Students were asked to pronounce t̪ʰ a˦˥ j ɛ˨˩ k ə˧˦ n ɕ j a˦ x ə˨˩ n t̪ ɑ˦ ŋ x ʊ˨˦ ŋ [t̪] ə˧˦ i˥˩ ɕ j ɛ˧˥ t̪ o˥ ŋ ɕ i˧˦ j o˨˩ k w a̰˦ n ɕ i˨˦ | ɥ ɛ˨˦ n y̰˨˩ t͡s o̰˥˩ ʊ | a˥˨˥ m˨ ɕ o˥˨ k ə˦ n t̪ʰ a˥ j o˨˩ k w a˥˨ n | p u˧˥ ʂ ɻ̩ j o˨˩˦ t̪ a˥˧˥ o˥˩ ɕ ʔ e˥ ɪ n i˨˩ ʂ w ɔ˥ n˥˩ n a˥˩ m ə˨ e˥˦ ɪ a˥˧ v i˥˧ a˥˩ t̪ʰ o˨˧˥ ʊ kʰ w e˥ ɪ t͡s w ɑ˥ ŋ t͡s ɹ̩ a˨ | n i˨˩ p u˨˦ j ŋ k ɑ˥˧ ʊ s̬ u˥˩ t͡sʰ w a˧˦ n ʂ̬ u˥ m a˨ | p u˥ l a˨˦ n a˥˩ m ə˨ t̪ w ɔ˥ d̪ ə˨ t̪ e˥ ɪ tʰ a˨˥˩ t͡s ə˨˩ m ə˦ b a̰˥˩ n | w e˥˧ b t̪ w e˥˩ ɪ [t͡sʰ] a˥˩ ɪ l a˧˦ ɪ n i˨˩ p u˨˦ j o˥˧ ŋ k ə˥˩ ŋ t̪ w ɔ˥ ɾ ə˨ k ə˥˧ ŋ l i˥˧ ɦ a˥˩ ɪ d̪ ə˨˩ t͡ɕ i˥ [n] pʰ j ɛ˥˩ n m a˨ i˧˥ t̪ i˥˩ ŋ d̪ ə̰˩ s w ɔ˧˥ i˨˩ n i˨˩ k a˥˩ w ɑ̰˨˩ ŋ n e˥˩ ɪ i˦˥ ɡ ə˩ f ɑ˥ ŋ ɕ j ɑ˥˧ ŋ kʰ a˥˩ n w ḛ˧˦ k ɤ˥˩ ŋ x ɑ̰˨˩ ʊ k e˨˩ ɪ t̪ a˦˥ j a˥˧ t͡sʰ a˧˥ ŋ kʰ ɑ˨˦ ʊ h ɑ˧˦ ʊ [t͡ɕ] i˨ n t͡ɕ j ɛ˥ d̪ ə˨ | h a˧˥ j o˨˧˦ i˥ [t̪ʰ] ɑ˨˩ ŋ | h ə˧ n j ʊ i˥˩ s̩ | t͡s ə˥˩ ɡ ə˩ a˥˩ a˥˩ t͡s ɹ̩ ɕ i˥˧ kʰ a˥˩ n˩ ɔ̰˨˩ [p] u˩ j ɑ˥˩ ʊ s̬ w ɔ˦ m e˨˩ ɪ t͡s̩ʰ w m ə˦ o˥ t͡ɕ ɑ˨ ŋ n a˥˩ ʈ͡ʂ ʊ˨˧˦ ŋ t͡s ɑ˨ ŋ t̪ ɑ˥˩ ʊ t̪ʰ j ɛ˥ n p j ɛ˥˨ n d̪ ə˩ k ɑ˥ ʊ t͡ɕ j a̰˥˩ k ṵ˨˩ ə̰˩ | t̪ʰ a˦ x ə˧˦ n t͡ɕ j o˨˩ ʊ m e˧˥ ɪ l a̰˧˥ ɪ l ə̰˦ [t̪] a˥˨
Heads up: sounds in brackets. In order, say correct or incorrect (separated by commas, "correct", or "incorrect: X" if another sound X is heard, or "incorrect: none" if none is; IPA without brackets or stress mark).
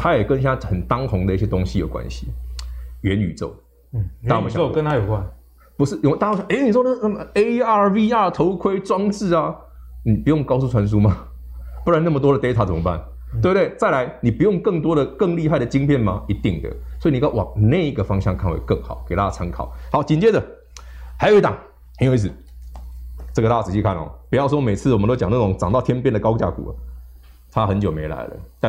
incorrect: d̪, incorrect: t͡s, incorrect: ŋ, correct, incorrect: t̪, correct, correct